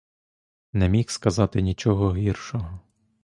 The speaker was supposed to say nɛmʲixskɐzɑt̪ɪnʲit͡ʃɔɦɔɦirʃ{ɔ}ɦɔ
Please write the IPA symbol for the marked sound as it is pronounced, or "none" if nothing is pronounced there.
ɔ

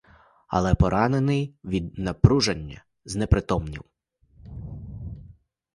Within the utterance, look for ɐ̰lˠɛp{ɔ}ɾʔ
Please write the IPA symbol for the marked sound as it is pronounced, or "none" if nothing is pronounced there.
ɔ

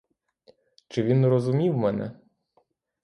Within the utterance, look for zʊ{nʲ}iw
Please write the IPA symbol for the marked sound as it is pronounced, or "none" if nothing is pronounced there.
mʲ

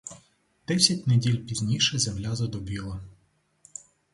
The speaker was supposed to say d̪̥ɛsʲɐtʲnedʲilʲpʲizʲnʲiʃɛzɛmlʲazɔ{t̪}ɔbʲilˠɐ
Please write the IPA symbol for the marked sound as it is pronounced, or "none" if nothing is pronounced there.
d̪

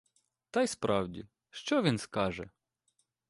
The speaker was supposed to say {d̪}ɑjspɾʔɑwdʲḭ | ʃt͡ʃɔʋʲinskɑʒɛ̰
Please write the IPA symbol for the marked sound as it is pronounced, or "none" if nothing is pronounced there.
t̪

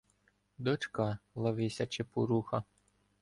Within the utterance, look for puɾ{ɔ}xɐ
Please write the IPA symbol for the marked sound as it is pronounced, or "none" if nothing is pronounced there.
u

